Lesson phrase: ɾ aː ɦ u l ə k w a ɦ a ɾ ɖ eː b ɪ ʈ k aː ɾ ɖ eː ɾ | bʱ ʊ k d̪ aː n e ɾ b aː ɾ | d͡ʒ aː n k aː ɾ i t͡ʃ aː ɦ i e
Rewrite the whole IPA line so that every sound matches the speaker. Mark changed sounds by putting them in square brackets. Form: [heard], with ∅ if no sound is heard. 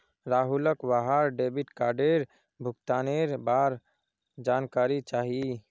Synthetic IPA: ɾ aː ɦ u l ə k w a ɦ a ɾ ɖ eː b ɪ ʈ k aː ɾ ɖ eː ɾ | bʱ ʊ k [t̪] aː n e ɾ b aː ɾ | d͡ʒ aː n k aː ɾ i t͡ʃ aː ɦ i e